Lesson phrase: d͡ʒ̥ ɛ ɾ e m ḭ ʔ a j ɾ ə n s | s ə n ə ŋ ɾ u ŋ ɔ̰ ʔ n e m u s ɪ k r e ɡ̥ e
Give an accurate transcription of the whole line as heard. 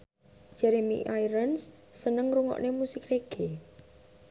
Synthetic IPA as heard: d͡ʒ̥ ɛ ɾ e m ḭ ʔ a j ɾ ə n s | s ə n ə ŋ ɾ u ŋ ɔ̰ ʔ n e m u s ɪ k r e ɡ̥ e